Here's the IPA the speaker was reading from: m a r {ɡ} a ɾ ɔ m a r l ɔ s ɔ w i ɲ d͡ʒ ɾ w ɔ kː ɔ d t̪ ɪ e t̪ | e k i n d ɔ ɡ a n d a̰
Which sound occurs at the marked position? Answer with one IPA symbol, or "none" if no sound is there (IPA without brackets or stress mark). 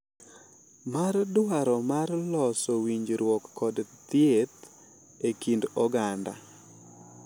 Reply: d